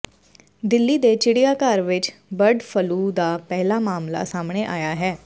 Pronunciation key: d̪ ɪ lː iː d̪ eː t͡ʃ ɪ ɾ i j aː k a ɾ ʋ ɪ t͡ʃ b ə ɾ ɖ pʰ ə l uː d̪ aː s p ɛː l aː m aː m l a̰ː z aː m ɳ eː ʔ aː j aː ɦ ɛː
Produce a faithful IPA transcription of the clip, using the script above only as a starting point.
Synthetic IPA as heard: d̪ ɪ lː iː d̪ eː t͡ʃ ɪ ɽ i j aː k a ɾ ʋ ɪ t͡ʃ b ə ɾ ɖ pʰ ə l uː d̪ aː p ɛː l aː m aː m l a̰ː s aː m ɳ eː ʔ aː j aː ɦ ɛː